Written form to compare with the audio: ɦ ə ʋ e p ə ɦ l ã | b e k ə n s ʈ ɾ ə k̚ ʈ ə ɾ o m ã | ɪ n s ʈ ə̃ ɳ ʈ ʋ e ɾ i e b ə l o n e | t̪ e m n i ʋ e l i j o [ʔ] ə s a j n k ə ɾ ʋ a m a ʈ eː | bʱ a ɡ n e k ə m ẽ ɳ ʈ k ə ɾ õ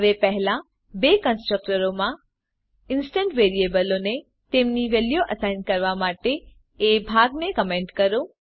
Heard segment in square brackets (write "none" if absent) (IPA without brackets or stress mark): ʔ